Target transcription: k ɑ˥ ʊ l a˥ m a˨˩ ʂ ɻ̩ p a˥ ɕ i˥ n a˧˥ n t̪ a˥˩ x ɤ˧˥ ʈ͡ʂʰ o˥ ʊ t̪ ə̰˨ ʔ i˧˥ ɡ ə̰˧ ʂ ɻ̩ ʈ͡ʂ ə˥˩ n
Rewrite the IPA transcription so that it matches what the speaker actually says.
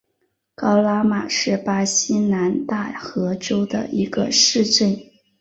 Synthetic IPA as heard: k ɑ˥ ʊ l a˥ m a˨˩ ʂ ɻ̩ p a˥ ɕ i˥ n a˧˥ n t̪ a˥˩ x ɤ˧˥ ʈ͡ʂ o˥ ʊ d̪ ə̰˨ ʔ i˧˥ ɡ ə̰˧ ʂ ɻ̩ ʈ͡ʂ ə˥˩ n